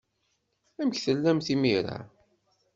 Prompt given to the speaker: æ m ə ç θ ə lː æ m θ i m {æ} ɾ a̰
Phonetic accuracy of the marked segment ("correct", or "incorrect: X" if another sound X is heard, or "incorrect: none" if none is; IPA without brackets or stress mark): incorrect: i